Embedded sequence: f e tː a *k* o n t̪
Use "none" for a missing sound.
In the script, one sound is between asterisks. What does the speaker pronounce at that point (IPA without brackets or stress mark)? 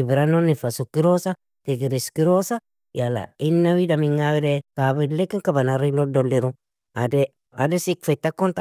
k